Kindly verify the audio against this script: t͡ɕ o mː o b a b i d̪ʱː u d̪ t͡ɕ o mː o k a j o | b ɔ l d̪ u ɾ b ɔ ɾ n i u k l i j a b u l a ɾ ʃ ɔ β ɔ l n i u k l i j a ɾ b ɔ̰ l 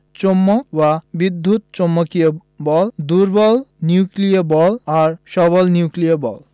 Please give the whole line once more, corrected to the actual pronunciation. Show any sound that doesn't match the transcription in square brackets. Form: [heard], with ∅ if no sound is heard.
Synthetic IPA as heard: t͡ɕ o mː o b a b i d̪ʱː u [t̪] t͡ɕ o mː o k [i] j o | b ɔ l d̪ u ɾ b ɔ [l] n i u k l i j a b [ɔ] l a ɾ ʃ ɔ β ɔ l n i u k l i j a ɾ b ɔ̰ l